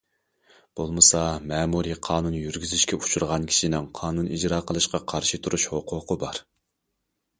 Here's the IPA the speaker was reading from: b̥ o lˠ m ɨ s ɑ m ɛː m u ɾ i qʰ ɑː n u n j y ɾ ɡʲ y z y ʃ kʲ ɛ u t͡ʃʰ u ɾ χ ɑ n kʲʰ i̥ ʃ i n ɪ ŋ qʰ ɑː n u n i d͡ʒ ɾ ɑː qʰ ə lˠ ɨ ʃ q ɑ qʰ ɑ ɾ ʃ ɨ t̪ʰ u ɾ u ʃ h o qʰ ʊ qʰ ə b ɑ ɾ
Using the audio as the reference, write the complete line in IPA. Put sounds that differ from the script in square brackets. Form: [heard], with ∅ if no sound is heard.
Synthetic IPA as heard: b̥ o lˠ m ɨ s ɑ m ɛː m u ɾ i qʰ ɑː n u n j y ɾ ɡʲ y z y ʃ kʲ ɛ u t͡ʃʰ u ɾ [ʁ] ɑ n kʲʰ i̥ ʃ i n ɪ ŋ qʰ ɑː n u n i d͡ʒ ɾ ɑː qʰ ə lˠ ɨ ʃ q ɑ qʰ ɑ ɾ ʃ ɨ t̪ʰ u ɾ u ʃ h o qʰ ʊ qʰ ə b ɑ ɾ